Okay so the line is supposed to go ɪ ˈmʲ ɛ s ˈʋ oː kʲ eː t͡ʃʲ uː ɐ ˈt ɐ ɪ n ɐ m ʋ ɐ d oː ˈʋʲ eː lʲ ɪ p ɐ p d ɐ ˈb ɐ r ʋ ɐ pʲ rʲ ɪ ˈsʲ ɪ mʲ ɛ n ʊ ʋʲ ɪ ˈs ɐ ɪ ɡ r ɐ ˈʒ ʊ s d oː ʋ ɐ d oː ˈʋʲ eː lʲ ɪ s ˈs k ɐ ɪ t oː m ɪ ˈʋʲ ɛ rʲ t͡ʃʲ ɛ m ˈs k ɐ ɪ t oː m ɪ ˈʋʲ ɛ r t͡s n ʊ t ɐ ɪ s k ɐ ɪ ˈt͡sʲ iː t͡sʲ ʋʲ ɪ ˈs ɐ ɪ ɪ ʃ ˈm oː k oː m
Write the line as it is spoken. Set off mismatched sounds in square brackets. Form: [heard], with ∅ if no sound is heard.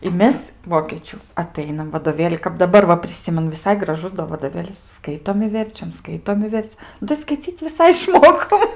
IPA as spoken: ɪ ˈmʲ ɛ s ˈʋ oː kʲ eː t͡ʃʲ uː ɐ ˈt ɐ ɪ n ɐ m ʋ ɐ d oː ˈʋʲ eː lʲ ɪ [k] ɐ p d ɐ ˈb ɐ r ʋ ɐ pʲ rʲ ɪ ˈsʲ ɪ mʲ ɛ n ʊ ʋʲ ɪ ˈs ɐ ɪ ɡ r ɐ ˈʒ ʊ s d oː ʋ ɐ d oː ˈʋʲ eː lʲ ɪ s ˈs k ɐ ɪ t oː m ɪ ˈʋʲ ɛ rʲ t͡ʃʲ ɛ m ˈs k ɐ ɪ t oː m ɪ ˈʋʲ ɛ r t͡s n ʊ t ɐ ɪ s k ɐ ɪ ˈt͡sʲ iː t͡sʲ ʋʲ ɪ ˈs ɐ ɪ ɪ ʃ ˈm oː k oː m